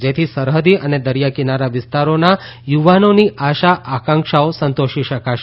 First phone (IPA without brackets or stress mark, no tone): d͡ʒ